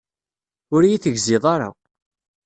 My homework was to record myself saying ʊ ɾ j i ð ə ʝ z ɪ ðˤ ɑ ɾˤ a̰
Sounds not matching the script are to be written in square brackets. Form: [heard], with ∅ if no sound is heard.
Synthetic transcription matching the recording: ʊ ɾ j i [θ] ə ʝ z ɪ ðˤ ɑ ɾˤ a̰